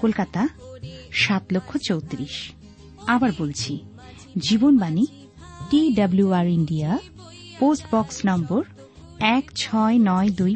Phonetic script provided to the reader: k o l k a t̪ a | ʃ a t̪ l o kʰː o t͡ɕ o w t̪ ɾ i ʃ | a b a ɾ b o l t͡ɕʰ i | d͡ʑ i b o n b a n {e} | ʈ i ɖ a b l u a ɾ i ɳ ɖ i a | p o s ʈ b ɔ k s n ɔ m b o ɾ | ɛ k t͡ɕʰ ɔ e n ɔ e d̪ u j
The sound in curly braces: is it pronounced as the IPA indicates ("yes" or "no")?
no